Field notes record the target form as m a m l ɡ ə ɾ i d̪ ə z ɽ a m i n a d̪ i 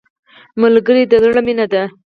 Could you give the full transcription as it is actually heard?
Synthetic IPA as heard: m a l ɡ ə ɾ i d̪ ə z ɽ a m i n a d̪ a